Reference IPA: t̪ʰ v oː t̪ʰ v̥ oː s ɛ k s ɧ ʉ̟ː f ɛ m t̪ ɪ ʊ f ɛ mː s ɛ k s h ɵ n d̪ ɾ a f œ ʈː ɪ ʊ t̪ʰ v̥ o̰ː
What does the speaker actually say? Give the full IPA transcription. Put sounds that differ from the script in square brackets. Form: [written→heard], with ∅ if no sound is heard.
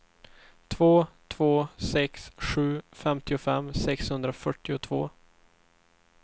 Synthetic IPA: t̪ʰ v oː t̪ʰ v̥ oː s ɛ k s ɧ ʉ̟ː f ɛ m t̪ ɪ ʊ f ɛ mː s ɛ k s h ɵ n d̪ ɾ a f œ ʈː ɪ ʊ t̪ʰ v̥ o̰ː